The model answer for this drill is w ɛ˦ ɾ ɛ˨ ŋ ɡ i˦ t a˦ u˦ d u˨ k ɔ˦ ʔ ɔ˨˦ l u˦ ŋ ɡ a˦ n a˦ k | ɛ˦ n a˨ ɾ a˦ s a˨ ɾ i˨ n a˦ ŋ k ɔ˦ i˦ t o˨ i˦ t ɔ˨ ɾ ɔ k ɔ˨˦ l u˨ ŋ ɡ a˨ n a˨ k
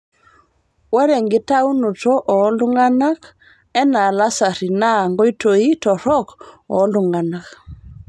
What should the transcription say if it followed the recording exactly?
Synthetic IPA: w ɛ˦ ɾ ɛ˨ ŋ ɡ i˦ t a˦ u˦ n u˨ t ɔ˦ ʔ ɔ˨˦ l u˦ ŋ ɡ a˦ n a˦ k | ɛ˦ n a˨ l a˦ s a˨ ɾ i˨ n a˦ ŋ ɡ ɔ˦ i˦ t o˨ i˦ t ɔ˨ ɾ ɔ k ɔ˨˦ l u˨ ŋ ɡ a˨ n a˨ k